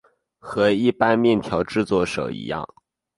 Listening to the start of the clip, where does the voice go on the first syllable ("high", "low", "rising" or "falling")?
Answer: rising